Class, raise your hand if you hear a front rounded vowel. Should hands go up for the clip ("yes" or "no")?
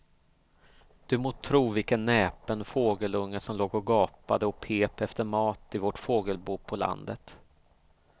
no